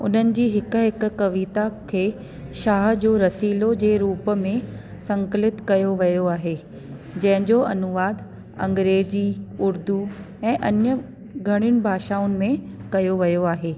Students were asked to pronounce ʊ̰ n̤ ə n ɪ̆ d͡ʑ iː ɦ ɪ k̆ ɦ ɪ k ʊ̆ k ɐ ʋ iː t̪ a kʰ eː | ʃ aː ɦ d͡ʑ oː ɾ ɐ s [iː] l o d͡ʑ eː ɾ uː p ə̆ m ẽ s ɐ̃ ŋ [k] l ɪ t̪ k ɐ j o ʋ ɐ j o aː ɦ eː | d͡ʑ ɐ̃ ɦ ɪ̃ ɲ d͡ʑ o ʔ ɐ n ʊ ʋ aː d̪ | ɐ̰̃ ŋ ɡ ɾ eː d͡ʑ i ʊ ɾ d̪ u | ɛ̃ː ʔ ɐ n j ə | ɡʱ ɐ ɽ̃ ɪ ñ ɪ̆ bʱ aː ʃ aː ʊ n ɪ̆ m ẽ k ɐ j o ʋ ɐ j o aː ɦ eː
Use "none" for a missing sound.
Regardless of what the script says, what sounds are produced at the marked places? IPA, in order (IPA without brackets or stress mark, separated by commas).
iː, k